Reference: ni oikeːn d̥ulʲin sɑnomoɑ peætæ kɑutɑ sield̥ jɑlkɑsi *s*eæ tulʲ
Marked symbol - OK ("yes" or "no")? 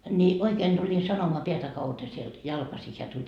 no